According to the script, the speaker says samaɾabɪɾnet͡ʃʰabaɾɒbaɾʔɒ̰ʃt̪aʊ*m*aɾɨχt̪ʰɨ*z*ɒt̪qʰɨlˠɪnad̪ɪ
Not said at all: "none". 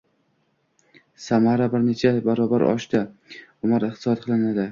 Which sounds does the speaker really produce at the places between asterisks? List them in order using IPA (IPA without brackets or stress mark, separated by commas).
m, s